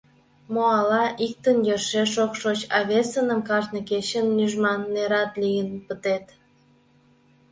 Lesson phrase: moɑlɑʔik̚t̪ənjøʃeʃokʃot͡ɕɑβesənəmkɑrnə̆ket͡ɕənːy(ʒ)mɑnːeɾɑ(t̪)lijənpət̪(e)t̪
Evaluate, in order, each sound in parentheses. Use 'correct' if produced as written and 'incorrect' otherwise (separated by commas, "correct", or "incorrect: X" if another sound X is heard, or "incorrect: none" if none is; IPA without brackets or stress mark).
correct, correct, correct